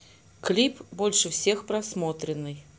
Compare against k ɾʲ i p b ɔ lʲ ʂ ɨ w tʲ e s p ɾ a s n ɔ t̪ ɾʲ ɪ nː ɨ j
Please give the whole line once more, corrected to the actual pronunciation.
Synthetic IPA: k lʲ i p b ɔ lʲ ʂ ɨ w sʲ e x p ɾ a s m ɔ t̪ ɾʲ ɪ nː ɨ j